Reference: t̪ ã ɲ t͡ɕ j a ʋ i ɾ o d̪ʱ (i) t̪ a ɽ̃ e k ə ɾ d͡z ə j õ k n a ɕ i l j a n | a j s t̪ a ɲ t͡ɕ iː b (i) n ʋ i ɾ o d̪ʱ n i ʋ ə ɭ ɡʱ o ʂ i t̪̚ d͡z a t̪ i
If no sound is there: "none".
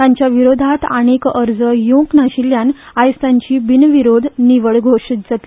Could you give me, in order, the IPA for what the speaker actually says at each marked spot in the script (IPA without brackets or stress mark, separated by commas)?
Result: a, i